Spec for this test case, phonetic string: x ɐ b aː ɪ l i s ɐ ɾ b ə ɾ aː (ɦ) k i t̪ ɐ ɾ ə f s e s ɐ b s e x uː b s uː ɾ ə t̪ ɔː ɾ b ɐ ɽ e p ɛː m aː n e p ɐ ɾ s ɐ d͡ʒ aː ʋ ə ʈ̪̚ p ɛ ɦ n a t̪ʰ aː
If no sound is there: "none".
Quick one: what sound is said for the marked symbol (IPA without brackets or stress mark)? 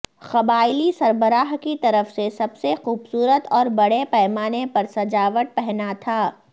ɦ